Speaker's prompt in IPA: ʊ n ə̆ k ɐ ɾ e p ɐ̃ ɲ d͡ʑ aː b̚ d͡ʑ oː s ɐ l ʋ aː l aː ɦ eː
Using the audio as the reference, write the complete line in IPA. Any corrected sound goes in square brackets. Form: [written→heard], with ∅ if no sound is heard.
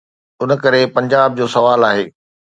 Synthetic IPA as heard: ʊ n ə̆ k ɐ ɾ e p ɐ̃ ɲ d͡ʑ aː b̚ d͡ʑ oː s ɐ [l→∅] ʋ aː l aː ɦ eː